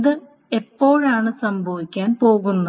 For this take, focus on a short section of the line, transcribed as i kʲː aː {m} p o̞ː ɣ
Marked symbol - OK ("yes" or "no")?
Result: no